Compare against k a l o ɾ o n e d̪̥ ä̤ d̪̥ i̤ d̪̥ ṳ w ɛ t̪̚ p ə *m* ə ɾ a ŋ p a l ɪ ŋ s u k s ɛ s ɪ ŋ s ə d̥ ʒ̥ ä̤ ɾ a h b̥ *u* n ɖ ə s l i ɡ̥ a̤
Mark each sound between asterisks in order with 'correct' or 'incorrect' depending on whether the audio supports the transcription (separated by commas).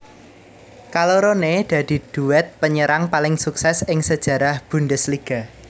incorrect, correct